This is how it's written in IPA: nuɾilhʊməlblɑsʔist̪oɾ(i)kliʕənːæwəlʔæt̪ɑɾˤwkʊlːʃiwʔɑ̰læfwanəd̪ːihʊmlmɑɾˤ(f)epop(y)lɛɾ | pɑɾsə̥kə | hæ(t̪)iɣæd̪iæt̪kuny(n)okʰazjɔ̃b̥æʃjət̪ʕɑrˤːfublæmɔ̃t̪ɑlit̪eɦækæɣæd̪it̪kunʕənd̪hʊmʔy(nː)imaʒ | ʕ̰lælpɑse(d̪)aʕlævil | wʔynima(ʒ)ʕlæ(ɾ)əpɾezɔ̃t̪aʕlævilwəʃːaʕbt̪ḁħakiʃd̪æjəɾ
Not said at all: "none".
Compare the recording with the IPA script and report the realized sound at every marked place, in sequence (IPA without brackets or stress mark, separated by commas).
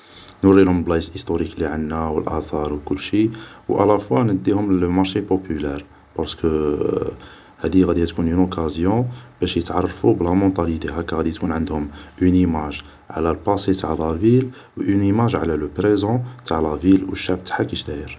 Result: i, ʃ, y, d̪, n, n, t̪, ʒ, l